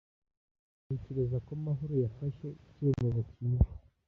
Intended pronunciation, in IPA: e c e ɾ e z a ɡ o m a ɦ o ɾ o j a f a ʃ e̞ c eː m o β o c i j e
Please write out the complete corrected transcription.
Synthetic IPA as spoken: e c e ɾ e z a k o m a ɦ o ɾ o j a f a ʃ e̞ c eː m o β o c i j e